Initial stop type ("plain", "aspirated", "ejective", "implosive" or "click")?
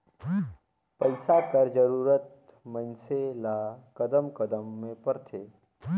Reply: plain